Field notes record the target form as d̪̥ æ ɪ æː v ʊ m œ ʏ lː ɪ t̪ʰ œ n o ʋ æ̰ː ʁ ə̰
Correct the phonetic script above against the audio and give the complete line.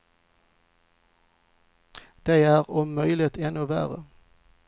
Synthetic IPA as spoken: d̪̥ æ ɪ æː ʁ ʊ m œ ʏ l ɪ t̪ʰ ɛ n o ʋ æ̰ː ʁ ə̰